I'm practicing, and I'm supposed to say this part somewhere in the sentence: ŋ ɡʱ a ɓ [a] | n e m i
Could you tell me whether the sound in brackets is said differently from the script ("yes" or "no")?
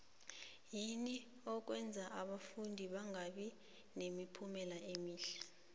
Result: yes